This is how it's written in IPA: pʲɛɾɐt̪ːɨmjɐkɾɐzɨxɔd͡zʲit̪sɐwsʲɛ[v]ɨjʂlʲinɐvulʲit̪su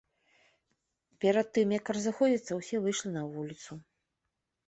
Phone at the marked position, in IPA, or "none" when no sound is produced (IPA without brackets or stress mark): v